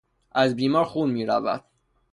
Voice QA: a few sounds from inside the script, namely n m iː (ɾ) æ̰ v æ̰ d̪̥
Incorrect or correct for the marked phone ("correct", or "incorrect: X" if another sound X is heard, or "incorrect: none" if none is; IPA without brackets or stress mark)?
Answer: correct